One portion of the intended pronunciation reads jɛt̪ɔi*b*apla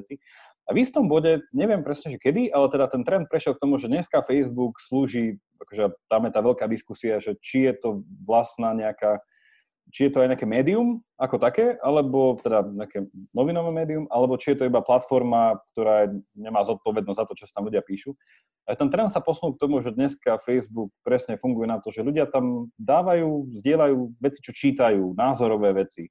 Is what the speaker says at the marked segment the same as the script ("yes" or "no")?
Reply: yes